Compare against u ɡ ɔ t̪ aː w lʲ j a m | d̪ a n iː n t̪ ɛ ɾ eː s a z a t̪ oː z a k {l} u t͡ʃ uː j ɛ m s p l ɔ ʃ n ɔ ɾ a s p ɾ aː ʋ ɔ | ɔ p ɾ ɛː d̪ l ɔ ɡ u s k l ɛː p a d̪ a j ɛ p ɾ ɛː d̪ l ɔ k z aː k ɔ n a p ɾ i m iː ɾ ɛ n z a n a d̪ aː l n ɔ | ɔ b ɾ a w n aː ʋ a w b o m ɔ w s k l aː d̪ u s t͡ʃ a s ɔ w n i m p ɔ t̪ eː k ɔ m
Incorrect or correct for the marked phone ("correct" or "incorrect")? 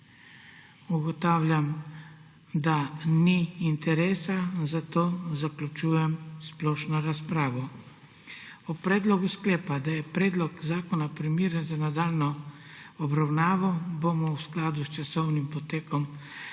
correct